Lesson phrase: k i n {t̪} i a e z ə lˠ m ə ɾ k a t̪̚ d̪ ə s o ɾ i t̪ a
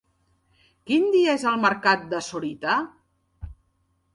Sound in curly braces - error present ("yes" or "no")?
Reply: yes